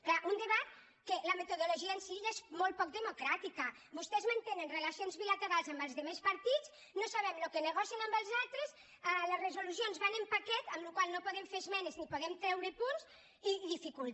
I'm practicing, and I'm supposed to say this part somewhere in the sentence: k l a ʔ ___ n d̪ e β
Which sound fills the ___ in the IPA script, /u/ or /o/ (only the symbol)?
u